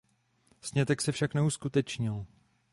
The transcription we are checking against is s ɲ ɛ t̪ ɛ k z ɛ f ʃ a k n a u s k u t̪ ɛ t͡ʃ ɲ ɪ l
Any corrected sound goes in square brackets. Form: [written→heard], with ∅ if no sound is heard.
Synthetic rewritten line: s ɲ ɛ t̪ ɛ k [z→s] ɛ f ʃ a k n [a→ɛ] u s k u t̪ ɛ t͡ʃ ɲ ɪ l